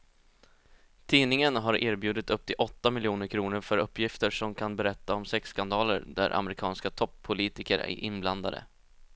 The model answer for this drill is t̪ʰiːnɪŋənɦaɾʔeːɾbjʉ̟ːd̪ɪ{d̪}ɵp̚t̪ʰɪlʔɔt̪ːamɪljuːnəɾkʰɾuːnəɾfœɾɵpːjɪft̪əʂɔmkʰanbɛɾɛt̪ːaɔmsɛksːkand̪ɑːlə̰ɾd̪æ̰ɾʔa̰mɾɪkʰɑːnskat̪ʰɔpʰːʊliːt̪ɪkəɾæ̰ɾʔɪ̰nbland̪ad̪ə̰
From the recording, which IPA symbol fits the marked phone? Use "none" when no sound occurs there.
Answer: t̪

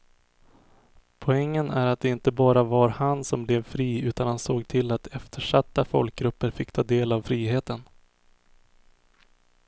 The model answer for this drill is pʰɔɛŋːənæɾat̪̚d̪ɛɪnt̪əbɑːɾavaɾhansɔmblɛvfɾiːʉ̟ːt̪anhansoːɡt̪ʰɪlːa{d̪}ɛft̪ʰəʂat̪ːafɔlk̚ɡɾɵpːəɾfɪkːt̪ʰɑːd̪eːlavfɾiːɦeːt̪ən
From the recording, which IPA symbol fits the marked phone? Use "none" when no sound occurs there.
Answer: t̪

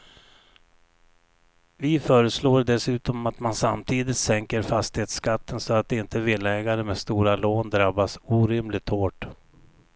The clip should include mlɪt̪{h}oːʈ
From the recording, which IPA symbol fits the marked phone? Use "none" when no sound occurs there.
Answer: h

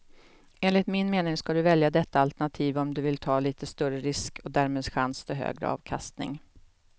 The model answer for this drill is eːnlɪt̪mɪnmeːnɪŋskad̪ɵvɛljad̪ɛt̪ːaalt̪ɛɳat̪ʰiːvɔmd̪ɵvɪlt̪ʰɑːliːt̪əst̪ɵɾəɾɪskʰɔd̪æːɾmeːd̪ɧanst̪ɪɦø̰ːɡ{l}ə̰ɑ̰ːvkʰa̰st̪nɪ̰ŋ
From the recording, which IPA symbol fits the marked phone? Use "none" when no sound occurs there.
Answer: ɾ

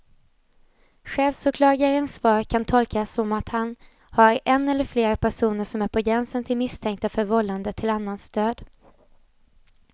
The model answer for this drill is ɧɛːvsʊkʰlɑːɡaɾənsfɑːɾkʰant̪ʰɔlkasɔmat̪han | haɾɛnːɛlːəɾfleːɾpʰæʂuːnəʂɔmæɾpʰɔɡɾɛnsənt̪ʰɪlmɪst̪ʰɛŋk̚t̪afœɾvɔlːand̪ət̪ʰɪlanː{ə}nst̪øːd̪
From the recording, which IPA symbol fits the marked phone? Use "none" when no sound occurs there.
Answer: a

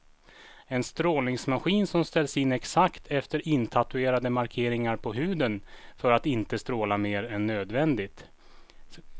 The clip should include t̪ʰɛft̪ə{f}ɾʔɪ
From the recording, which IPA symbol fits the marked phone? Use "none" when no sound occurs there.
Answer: none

